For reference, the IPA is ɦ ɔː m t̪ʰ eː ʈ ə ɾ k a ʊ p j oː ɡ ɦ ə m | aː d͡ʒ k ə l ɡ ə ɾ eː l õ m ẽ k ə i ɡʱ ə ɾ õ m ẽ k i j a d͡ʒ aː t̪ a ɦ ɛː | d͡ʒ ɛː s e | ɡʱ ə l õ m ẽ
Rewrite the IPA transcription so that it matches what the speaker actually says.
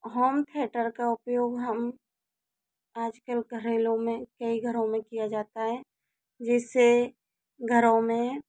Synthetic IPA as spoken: ɦ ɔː m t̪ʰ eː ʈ ə ɾ k a ʊ p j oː ɡ ɦ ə m | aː d͡ʒ k ə l ɡ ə ɾ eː l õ m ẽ k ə i ɡʱ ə ɾ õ m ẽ k i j a d͡ʒ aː t̪ a ɦ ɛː | d͡ʒ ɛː s e | ɡʱ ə ɾ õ m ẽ